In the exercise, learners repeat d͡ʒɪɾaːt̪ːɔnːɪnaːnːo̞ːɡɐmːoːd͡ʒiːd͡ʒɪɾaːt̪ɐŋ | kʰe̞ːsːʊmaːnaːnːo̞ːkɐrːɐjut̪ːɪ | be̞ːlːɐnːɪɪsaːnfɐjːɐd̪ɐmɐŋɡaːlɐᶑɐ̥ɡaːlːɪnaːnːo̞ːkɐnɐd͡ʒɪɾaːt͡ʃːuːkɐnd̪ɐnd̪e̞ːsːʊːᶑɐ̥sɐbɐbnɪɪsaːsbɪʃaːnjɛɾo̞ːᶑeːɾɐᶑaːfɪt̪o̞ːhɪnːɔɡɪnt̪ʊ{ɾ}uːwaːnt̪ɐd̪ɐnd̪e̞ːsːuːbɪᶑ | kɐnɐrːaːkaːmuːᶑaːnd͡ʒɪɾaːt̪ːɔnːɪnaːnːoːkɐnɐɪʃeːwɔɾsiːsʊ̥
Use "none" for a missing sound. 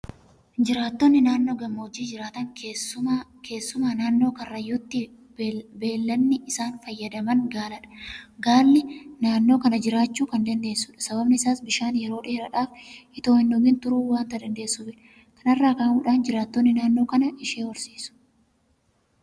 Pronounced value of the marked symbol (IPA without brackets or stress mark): ɾ